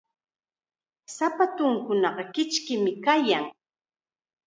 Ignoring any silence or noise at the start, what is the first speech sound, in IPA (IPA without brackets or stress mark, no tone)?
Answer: s